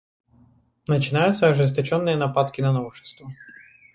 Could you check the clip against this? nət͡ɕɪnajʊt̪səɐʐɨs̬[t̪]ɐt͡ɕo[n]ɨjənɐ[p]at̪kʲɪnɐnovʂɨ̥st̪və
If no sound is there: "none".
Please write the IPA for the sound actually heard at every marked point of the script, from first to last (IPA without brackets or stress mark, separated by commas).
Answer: t̪, nː, p